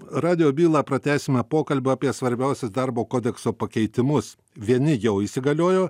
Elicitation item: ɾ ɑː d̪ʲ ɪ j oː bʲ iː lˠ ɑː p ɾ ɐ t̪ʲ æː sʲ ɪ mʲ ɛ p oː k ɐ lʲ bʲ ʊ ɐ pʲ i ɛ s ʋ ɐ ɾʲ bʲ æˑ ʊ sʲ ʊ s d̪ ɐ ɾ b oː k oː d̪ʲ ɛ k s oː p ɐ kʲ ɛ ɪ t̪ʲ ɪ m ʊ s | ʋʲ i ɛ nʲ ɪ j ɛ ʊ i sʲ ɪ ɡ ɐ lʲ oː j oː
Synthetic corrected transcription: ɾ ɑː d̪ʲ ɪ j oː bʲ iː lˠ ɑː p ɾ ɐ t̪ʲ æː sʲ ɪ mʲ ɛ p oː k ɐ lʲ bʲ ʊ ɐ pʲ i ɛ s ʋ ɐ ɾʲ bʲ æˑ ʊ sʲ ʊ s d̪ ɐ ɾ b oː k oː d̪ʲ ɛ k s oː p ɐ kʲ ɛ ɪ t̪ʲ ɪ m ʊ s | ʋʲ i ɛ nʲ ɪ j ɛ ʊ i sʲ ɪ ɡ ɐ lʲ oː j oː